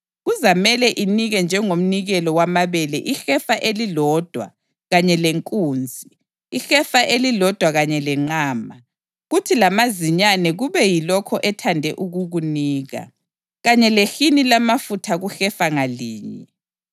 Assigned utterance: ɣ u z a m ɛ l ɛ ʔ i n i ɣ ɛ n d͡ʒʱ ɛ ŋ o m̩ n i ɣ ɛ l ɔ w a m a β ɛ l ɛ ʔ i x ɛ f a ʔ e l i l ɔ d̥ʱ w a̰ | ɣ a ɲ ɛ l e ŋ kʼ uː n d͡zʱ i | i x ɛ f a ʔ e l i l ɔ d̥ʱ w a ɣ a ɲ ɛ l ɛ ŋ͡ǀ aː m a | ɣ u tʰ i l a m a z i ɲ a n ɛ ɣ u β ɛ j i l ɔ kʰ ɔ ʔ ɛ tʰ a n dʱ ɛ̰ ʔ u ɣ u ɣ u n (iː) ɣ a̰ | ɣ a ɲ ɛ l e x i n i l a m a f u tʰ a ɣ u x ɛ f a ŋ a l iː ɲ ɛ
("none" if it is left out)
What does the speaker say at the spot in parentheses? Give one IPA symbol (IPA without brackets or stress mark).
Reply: iː